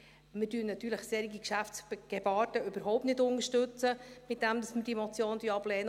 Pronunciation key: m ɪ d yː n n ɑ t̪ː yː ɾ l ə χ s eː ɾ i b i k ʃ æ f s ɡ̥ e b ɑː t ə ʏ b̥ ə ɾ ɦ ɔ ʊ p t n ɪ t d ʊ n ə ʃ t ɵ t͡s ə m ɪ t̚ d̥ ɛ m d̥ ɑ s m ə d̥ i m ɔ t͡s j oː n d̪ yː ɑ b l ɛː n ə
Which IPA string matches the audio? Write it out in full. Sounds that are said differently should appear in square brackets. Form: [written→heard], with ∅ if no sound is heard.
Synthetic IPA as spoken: m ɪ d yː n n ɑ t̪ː yː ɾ l ə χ s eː ɾ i [b→ɡ] i k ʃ æ f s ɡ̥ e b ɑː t ə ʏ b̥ ə ɾ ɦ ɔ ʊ p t n ɪ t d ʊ n ə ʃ t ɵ t͡s ə m ɪ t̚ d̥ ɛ m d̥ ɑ s m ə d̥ i m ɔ t͡s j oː n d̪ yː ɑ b l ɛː n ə